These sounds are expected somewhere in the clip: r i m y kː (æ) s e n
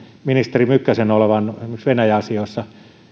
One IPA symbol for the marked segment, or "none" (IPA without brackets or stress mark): æ